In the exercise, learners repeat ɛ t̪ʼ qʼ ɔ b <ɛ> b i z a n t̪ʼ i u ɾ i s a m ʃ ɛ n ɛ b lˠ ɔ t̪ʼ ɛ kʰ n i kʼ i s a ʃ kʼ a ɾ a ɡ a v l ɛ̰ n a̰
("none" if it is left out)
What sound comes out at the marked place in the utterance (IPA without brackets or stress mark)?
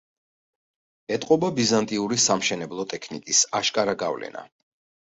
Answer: a